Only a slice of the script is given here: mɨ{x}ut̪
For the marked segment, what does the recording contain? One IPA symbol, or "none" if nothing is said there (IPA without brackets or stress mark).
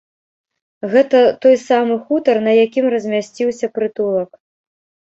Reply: x